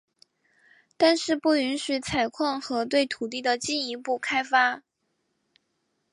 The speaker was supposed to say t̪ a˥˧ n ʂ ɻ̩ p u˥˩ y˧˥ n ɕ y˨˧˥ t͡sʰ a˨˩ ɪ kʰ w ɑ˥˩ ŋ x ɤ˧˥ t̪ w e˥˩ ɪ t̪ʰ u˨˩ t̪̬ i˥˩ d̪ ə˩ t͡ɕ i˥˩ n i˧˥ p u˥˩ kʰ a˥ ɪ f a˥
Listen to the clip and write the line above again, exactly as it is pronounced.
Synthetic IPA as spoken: t̪ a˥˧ n ʂ ɻ̩ p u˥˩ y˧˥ n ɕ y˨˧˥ t͡sʰ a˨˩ ɪ kʰ w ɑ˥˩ ŋ x ɤ˧˥ t̪ w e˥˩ ɪ t̪ʰ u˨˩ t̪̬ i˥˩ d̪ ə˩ t͡ɕ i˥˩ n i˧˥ p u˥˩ kʰ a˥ ɪ f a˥